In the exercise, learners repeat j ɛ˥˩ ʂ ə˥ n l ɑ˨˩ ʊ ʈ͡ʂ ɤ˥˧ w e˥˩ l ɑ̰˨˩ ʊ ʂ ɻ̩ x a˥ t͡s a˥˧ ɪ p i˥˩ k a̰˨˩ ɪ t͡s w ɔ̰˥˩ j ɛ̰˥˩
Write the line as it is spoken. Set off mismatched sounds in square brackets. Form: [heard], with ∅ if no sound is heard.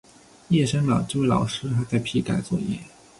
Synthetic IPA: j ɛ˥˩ ʂ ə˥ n l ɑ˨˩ ʊ ʈ͡ʂ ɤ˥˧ w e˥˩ l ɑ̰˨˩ ʊ ʂ ɻ̩ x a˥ t͡s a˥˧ ɪ [pʰ] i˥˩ k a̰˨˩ ɪ t͡s w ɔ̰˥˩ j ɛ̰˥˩